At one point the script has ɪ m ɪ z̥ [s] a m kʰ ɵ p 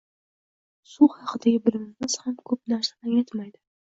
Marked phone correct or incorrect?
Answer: incorrect